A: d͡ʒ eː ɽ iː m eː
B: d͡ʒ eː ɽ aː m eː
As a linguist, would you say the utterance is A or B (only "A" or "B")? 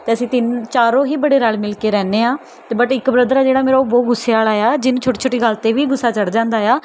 B